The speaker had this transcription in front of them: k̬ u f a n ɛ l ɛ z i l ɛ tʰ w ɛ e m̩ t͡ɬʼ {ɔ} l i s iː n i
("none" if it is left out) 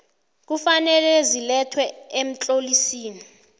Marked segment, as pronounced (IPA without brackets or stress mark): o